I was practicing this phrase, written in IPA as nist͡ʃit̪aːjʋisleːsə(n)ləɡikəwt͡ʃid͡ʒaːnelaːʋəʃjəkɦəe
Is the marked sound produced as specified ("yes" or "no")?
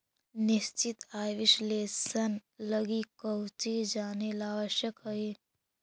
yes